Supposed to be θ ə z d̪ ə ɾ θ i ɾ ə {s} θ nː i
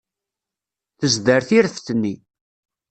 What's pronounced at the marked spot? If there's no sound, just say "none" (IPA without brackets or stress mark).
f